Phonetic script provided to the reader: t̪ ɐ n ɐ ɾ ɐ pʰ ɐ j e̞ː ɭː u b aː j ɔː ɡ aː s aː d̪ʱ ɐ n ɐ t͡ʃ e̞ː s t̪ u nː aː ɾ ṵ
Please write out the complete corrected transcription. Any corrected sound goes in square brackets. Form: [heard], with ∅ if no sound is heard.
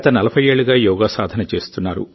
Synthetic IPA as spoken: t̪ ɐ n ɐ [l] ɐ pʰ ɐ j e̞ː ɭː u [ɡ] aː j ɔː ɡ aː s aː d̪ʱ ɐ n ɐ t͡ʃ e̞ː s t̪ u nː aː ɾ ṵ